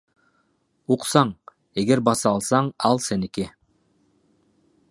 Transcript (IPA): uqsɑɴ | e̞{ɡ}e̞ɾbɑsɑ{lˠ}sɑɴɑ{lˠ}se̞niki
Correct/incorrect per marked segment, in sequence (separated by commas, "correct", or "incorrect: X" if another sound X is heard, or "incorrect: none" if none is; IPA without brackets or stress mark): correct, correct, correct